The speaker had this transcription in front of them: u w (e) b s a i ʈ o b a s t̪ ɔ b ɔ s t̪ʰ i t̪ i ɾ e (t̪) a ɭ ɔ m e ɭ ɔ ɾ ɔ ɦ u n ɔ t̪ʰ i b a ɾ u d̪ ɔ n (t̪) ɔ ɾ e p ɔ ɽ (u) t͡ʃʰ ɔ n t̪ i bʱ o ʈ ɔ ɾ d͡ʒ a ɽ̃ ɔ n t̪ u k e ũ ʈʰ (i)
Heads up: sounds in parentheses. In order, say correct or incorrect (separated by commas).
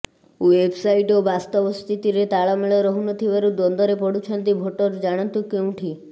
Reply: correct, correct, incorrect, correct, correct